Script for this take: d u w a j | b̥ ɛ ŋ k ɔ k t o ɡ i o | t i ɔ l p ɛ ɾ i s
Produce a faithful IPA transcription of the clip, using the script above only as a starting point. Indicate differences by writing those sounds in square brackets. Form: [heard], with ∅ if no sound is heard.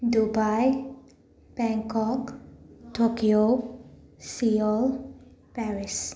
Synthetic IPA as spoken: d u [b] a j | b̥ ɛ ŋ k ɔ k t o [k] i o | [s] i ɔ l p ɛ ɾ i s